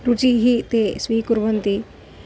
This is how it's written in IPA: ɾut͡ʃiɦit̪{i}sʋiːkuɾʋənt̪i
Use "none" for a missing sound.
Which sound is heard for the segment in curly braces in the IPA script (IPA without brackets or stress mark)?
e